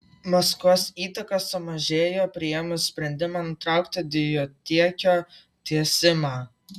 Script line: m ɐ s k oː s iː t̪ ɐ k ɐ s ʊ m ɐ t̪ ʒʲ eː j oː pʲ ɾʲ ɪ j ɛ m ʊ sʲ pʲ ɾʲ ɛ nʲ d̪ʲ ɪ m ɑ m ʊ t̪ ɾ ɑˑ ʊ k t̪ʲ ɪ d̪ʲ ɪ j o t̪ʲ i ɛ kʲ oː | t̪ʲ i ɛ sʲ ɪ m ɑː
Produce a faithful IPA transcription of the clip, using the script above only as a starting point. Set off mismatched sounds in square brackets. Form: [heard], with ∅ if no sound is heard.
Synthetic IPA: m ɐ s k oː s iː t̪ ɐ k ɐ s ʊ m ɐ [∅] ʒʲ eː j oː pʲ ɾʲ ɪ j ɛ m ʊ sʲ pʲ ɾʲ ɛ nʲ d̪ʲ ɪ m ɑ [n] ʊ t̪ ɾ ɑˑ ʊ k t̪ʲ ɪ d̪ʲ ɪ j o t̪ʲ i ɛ kʲ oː | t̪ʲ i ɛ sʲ ɪ m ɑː

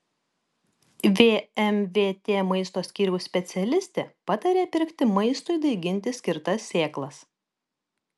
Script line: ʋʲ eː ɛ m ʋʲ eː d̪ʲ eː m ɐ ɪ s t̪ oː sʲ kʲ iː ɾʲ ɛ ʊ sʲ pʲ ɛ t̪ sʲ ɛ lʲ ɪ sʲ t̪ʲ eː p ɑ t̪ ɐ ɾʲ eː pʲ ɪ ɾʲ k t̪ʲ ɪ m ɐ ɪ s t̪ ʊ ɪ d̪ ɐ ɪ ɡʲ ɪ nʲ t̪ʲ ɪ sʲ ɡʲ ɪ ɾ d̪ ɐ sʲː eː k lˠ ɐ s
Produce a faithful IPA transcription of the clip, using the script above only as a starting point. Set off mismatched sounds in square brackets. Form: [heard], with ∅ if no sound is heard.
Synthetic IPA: ʋʲ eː ɛ m ʋʲ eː [t̪ʲ] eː m ɐ ɪ s t̪ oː sʲ kʲ iː ɾʲ ɛ ʊ sʲ pʲ ɛ t̪ sʲ ɛ lʲ ɪ sʲ t̪ʲ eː p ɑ t̪ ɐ ɾʲ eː pʲ ɪ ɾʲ k t̪ʲ ɪ m ɐ ɪ s t̪ ʊ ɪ d̪ ɐ ɪ ɡʲ ɪ nʲ t̪ʲ ɪ sʲ [kʲ] ɪ ɾ [t̪] ɐ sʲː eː k lˠ ɐ s

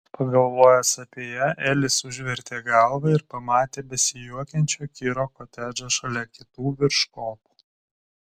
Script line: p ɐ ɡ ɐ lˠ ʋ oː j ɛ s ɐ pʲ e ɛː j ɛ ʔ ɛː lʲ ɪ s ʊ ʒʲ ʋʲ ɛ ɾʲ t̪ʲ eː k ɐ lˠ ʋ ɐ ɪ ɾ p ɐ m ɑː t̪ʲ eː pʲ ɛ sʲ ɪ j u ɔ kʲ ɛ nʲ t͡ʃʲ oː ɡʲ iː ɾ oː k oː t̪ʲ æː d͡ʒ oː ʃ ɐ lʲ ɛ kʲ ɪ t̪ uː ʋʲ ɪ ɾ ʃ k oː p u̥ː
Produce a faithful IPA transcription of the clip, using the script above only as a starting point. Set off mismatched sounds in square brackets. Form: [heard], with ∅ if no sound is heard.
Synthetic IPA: p ɐ ɡ ɐ lˠ ʋ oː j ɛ s ɐ pʲ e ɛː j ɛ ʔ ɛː lʲ ɪ s ʊ ʒʲ ʋʲ ɛ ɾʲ t̪ʲ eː [ɡ] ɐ lˠ ʋ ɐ ɪ ɾ p ɐ m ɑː t̪ʲ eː [bʲ] ɛ sʲ ɪ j u ɔ kʲ ɛ nʲ t͡ʃʲ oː [kʲ] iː ɾ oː k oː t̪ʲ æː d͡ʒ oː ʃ ɐ lʲ ɛ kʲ ɪ t̪ uː ʋʲ ɪ ɾ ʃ k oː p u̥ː

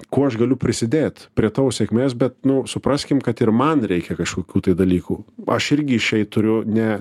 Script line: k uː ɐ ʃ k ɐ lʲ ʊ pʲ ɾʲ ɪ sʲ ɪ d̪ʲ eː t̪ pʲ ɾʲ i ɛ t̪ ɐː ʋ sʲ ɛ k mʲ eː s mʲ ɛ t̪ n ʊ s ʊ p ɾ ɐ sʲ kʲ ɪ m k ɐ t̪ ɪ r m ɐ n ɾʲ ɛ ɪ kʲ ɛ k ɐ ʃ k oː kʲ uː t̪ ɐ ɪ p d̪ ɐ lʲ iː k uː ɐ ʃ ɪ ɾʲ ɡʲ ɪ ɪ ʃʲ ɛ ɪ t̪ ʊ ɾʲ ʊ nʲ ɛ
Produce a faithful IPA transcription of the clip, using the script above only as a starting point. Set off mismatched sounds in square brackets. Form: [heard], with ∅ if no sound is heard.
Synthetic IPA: k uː ɐ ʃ [ɡ] ɐ lʲ ʊ pʲ ɾʲ ɪ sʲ ɪ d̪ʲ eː t̪ pʲ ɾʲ i ɛ t̪ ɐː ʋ sʲ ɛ k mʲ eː s [bʲ] ɛ t̪ n ʊ s ʊ p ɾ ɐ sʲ kʲ ɪ m k ɐ t̪ ɪ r m ɐ n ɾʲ ɛ ɪ kʲ ɛ k ɐ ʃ k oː kʲ uː t̪ ɐ ɪ [∅] d̪ ɐ lʲ iː k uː ɐ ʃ ɪ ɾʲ ɡʲ ɪ ɪ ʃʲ ɛ ɪ t̪ ʊ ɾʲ ʊ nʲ ɛ

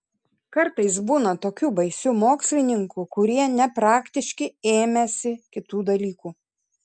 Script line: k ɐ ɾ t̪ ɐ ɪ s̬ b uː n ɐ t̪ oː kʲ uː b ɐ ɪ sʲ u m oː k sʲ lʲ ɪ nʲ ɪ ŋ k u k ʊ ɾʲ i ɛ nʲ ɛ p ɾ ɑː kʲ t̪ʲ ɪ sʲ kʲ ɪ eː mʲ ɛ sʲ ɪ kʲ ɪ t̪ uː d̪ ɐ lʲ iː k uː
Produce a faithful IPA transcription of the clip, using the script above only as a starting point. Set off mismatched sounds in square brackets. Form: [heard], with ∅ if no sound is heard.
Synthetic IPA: k ɐ ɾ t̪ ɐ ɪ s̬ b uː n ɐ t̪ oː kʲ uː b ɐ ɪ sʲ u m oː k sʲ lʲ ɪ nʲ ɪ ŋ k u k ʊ ɾʲ i ɛ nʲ ɛ p ɾ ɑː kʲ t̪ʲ ɪ [ʃʲ] kʲ ɪ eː mʲ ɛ sʲ ɪ kʲ ɪ t̪ uː d̪ ɐ lʲ iː k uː

